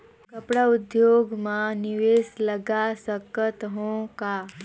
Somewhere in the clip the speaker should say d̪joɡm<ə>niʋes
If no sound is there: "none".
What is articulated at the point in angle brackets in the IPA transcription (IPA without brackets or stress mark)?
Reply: a